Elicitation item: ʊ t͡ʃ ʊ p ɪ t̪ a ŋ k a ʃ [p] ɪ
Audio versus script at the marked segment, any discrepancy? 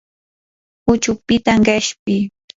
no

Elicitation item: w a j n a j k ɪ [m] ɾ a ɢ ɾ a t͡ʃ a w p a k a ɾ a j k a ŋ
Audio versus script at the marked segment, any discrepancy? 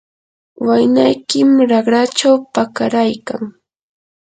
no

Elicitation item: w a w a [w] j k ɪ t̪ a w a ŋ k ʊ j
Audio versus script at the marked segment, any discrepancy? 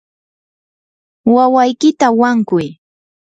yes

